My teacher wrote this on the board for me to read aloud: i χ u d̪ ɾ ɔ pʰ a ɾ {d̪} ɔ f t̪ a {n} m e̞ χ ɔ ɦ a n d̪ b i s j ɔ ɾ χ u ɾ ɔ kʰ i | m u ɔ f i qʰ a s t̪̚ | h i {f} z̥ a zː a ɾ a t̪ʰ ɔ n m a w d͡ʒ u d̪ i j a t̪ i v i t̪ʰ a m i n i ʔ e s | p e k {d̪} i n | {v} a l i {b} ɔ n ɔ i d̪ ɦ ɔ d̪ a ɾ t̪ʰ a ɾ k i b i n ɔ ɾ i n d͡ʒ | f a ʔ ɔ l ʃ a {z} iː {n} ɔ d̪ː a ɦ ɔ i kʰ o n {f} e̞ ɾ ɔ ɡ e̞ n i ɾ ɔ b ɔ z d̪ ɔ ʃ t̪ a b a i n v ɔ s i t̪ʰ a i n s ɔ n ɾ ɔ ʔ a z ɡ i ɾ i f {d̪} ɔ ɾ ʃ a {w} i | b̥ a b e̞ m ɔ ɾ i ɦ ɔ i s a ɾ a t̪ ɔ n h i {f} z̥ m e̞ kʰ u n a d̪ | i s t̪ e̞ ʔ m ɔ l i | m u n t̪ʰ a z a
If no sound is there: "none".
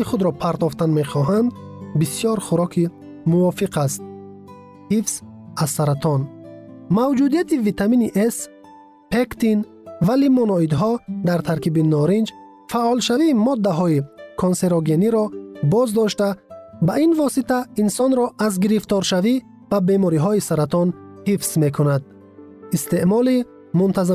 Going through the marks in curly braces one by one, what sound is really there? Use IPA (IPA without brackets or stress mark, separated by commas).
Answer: t̪, n, f, t̪, v, m, v, m, s, t̪, v, f